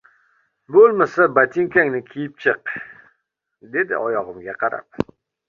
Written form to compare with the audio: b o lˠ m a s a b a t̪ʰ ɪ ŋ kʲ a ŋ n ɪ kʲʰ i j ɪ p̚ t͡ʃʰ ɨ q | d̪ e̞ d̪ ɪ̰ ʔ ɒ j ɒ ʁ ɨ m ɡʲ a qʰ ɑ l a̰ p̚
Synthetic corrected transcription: b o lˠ m a s a b a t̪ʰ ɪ ŋ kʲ a ŋ n ɪ kʲʰ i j ɪ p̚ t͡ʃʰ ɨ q | d̪ e̞ d̪ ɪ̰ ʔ ɒ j ɒ ʁ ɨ m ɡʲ a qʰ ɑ ɾ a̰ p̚

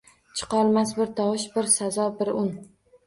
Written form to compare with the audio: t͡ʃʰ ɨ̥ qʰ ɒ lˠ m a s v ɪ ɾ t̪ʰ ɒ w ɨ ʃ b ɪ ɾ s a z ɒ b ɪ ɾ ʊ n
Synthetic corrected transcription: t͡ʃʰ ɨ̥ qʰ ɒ lˠ m a s b ɪ ɾ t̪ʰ ɒ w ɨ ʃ b ɪ ɾ s a z ɒ b ɪ ɾ ʊ n

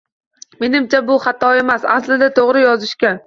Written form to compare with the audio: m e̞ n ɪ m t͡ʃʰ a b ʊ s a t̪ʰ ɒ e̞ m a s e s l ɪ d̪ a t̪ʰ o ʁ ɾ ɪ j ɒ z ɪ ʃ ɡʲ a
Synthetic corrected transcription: m e̞ n ɪ m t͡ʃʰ a b ʊ χ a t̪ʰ ɒ e̞ m a s a s l ɪ d̪ a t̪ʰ o ʁ ɾ ɪ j ɒ z ɪ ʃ kʲ a

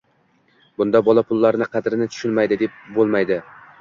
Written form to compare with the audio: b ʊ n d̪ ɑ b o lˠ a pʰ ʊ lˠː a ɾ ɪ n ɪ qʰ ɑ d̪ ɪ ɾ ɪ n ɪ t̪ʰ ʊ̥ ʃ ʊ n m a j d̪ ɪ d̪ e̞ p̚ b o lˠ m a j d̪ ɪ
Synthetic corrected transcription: b ʊ n d̪ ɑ b ɒ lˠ a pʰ ʊ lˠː a ɾ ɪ n ɪ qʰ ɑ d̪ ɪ ɾ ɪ n ɪ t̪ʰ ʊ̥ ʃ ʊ n m a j d̪ ɪ d̪ e̞ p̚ b o lˠ m a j d̪ ɪ

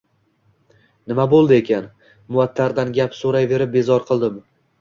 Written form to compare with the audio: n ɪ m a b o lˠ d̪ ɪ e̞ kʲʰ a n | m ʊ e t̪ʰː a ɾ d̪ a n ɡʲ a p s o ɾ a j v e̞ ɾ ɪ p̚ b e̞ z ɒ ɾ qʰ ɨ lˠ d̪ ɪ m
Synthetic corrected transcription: n ɪ m a b o lˠ d̪ ɪ e̞ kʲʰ a n | m ʊ a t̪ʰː a ɾ d̪ a n ɡʲ a p s o ɾ a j v e̞ ɾ ɪ p̚ b e̞ z ɒ ɾ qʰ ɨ lˠ d̪ ɪ m

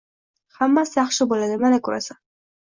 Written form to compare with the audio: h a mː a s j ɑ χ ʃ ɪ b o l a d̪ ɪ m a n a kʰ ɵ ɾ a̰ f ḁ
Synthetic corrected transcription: h a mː a s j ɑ χ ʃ ɪ b o l a d̪ ɪ m a n a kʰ ɵ ɾ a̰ s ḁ

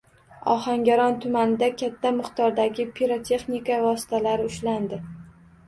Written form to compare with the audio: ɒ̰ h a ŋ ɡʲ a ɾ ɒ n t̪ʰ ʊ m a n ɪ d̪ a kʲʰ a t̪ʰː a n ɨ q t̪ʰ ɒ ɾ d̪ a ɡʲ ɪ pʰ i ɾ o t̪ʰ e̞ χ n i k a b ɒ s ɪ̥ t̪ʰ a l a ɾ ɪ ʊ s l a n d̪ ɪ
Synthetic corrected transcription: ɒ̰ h a ŋ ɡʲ a ɾ ɒ n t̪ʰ ʊ m a n ɪ d̪ a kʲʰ a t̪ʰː a m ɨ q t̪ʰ ɒ ɾ d̪ a ɡʲ ɪ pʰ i ɾ o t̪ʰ e̞ χ n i k a v ɒ s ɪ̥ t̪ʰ a l a ɾ ɪ ʊ ʃ l a n d̪ ɪ

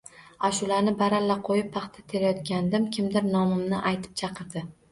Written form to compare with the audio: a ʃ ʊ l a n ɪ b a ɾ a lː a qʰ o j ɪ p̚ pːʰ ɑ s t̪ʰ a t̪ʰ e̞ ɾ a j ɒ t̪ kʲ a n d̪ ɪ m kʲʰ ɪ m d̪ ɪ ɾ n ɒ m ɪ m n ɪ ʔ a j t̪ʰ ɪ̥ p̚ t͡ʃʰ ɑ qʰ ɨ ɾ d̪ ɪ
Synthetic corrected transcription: a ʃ ʊ l a n ɪ b a ɾ a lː a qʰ o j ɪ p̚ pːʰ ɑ χ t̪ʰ a t̪ʰ e̞ ɾ a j ɒ t̪ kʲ a n d̪ ɪ m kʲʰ ɪ m d̪ ɪ ɾ n ɒ m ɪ m n ɪ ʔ a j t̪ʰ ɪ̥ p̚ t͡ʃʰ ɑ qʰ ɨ ɾ d̪ ɪ

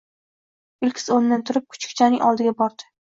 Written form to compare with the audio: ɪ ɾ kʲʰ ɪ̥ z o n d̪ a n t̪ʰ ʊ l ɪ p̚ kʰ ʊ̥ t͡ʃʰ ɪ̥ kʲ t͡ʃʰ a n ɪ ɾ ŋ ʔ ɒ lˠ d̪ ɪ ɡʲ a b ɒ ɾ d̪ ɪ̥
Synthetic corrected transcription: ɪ l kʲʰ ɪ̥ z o n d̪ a n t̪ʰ ʊ ɾ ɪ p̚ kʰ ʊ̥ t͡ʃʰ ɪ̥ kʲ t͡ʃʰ a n ɪ ŋ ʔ ɒ lˠ d̪ ɪ ɡʲ a b ɒ ɾ d̪ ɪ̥

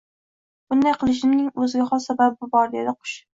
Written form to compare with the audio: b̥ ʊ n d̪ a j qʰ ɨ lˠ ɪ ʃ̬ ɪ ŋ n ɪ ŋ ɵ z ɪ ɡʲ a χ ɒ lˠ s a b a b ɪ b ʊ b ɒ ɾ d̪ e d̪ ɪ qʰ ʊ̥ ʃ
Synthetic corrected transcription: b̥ ʊ n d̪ a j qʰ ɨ lˠ ɪ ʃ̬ ɪ m n ɪ ŋ ɵ z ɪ ɡʲ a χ ɒ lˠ s a b a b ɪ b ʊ b ɒ ɾ d̪ e d̪ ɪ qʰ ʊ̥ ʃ

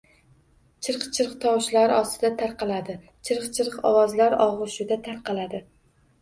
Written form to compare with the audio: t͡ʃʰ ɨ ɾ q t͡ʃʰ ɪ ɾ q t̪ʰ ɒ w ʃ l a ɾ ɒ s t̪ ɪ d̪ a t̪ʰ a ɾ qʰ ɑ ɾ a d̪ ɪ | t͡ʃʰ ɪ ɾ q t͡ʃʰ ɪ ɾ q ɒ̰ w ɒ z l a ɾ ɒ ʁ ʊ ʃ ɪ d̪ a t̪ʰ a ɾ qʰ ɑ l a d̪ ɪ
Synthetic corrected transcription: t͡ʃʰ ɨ ɾ q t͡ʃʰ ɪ ɾ q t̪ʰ ɒ w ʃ l a ɾ ɒ s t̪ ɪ d̪ a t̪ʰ a ɾ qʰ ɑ l a d̪ ɪ | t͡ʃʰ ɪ ɾ q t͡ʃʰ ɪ ɾ q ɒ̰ w ɒ z l a ɾ ɒ ʁ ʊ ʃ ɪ d̪ a t̪ʰ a ɾ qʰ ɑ l a d̪ ɪ

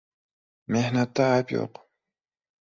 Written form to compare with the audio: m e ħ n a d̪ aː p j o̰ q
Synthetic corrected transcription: m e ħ n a t̪ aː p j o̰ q

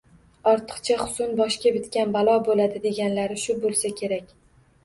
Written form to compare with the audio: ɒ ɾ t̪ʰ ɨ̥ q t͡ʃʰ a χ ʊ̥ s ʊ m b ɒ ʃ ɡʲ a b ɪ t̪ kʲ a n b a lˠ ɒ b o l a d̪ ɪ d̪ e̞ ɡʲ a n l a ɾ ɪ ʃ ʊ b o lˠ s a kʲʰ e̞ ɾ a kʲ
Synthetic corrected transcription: ɒ ɾ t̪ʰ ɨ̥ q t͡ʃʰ a χ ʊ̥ s ʊ n b ɒ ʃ kʲ a b ɪ t̪ kʲ a n b a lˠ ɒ b o l a d̪ ɪ d̪ e̞ ɡʲ a n l a ɾ ɪ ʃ ʊ b o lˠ s a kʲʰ e̞ ɾ a kʲ

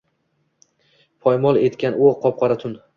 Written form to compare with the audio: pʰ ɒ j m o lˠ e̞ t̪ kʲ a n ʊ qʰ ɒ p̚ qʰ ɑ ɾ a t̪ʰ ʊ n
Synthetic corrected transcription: pʰ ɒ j m ɒ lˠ e̞ t̪ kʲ a n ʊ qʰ ɒ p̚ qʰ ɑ ɾ a t̪ʰ ʊ n

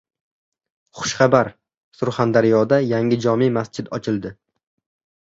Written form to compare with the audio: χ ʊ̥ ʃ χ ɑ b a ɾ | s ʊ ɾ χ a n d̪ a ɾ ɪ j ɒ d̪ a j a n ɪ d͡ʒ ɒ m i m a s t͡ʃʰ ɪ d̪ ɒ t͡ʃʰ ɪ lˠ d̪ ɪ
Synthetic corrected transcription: χ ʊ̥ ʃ χ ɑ b a ɾ | s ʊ ɾ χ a n d̪ a ɾ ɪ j ɒ d̪ a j a ŋ ɪ d͡ʒ ɒ m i m a s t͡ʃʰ ɪ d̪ ɒ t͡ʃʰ ɪ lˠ d̪ ɪ

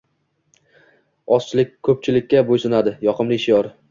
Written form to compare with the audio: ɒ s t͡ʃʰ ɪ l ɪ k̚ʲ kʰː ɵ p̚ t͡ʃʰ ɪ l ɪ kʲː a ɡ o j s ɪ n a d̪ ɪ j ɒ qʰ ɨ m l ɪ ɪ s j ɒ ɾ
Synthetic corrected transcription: ɒ s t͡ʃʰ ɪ l ɪ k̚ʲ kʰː ɵ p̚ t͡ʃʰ ɪ l ɪ kʲː a b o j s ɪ n a d̪ ɪ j ɒ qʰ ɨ m l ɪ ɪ ʃ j ɒ ɾ

